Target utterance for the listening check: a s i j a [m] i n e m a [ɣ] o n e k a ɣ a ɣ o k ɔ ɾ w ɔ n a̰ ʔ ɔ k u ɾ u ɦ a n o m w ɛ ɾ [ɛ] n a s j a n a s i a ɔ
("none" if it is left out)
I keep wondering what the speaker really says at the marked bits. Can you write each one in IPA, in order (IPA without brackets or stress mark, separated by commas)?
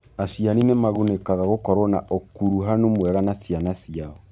n, ɣ, a